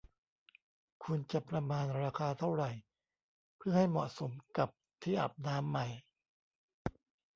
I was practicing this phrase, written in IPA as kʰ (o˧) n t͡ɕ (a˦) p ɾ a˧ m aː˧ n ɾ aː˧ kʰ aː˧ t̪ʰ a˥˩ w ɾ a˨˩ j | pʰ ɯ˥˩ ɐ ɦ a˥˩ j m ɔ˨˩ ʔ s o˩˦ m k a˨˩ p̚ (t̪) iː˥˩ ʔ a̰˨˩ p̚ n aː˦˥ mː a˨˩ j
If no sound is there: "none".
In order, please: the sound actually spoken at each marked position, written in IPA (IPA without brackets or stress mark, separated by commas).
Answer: u˧, a˨˩, t̪ʰ